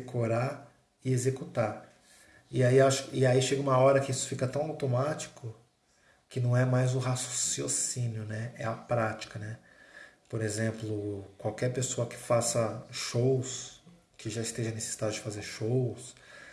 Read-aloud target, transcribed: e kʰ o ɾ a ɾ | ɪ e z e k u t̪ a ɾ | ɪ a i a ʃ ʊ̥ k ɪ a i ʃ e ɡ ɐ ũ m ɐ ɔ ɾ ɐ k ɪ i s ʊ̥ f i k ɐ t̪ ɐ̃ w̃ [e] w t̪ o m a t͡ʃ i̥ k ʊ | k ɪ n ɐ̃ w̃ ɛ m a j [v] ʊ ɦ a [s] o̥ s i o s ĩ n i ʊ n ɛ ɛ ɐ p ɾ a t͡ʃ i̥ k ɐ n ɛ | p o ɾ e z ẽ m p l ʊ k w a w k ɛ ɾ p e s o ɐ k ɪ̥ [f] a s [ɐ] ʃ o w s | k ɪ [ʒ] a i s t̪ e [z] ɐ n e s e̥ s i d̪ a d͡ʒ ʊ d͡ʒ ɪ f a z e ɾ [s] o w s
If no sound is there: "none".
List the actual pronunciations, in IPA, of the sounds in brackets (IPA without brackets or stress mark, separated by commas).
a, z, s, f, ɐ, ʒ, ʒ, ʃ